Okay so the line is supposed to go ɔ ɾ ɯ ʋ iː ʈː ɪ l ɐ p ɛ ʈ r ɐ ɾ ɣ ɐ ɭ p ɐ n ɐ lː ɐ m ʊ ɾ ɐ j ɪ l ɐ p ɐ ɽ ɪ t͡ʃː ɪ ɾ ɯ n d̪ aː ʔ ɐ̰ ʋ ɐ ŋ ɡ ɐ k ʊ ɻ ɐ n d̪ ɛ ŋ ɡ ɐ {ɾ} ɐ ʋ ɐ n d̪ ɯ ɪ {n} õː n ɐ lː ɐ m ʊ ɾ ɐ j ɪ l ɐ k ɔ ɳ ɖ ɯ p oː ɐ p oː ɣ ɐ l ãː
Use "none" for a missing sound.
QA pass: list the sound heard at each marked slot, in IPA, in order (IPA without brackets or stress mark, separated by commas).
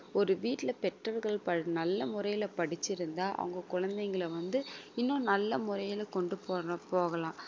ɭ, nː